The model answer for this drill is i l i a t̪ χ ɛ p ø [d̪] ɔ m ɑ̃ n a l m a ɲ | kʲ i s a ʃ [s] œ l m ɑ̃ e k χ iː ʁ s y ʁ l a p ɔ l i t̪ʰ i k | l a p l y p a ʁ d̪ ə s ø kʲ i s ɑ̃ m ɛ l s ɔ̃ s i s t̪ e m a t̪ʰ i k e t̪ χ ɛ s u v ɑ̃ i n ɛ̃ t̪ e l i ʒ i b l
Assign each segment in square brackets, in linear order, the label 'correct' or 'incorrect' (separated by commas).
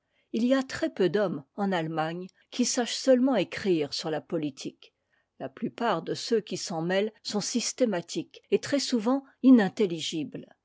correct, correct